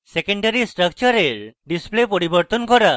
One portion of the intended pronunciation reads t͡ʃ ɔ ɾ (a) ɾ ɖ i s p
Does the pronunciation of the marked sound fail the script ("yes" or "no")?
yes